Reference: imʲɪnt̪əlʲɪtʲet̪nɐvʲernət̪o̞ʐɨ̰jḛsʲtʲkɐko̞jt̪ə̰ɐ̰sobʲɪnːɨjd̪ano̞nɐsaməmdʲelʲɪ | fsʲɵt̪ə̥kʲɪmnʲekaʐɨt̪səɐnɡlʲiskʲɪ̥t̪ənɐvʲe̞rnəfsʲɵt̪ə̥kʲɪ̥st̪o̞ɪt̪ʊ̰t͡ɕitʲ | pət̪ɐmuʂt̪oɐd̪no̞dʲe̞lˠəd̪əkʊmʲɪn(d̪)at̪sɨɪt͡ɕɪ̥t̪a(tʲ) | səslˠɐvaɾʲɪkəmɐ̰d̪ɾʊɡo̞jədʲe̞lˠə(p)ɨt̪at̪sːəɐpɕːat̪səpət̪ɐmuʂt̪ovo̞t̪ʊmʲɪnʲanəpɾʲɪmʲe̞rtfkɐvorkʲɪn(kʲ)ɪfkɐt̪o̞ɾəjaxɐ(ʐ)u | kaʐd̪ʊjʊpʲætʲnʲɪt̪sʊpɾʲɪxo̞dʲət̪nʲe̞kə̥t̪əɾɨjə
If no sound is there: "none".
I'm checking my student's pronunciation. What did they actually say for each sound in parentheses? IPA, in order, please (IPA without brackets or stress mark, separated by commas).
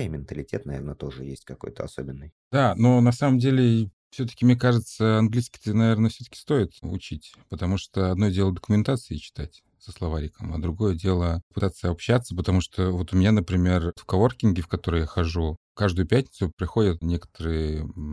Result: t̪, tʲ, p, ɡʲ, ʐ